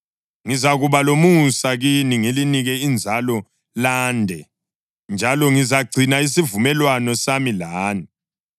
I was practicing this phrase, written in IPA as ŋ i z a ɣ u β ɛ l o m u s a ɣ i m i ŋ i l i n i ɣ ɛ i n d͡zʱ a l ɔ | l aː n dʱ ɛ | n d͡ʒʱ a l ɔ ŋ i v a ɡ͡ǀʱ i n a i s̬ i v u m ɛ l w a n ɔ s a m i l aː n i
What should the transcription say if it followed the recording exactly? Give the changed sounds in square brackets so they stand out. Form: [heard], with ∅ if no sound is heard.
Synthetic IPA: ŋ i z a ɣ u β [a] l o m u s a ɣ i [n] i ŋ i l i n i ɣ ɛ i n d͡zʱ a l ɔ | l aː n dʱ ɛ | n d͡ʒʱ a l ɔ ŋ i [z] a ɡ͡ǀʱ i n a i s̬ i v u m ɛ l w a n ɔ s a m i l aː n i